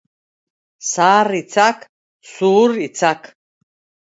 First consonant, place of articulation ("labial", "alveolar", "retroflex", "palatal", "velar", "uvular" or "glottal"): alveolar